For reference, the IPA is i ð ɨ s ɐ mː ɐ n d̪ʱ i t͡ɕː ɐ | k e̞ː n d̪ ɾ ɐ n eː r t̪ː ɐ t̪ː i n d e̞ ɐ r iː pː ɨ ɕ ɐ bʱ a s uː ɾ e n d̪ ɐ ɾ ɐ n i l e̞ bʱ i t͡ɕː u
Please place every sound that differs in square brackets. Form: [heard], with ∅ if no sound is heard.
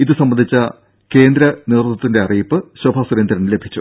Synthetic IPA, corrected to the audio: i ð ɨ s ɐ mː ɐ n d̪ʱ i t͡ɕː ɐ | k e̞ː n d̪ ɾ ɐ n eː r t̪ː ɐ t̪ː i n d e̞ ɐ r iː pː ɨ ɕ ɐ bʱ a s [u] ɾ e n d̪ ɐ ɾ ɐ n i l e̞ bʱ i t͡ɕː u